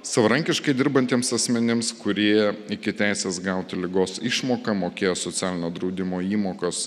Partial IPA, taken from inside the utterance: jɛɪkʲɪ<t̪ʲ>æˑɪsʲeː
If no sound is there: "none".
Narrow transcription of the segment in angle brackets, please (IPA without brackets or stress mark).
t̪ʲ